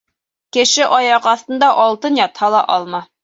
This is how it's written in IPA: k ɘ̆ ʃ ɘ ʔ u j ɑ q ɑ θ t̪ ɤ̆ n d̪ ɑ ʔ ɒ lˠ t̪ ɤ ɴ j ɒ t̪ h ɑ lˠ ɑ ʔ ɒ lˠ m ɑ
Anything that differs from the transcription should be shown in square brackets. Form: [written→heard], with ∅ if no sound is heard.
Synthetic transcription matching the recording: k ɘ̆ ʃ ɘ ʔ [u→ɒ] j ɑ q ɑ θ t̪ ɤ̆ n d̪ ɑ ʔ ɒ lˠ t̪ ɤ [ɴ→n] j ɒ t̪ h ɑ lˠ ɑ ʔ ɒ lˠ m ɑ